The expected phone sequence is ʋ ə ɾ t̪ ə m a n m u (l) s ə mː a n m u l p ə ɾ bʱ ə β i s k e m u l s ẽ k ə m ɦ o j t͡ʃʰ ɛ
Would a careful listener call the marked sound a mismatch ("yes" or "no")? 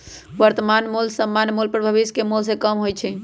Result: no